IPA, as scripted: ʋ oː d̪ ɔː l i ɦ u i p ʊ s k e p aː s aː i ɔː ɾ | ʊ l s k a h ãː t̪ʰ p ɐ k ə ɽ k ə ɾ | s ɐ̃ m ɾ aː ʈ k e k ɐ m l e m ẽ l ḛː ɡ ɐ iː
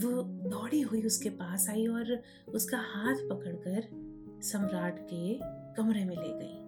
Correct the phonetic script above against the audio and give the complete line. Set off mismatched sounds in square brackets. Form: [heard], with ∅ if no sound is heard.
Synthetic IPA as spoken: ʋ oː d̪ ɔː [ɽ] i ɦ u i [∅] ʊ s k e p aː s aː i ɔː ɾ | ʊ [∅] s k a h [aː] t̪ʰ p ɐ k ə ɽ k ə ɾ | s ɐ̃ m ɾ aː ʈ k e k ɐ m [ɾ] e m ẽ l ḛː ɡ ɐ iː